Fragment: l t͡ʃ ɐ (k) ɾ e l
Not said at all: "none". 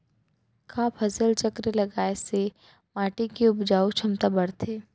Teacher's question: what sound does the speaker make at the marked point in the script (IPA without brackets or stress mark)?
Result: k